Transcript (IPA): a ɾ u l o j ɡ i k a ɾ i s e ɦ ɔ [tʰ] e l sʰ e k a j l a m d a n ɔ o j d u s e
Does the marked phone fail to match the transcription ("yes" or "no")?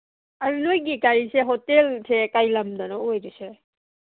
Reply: yes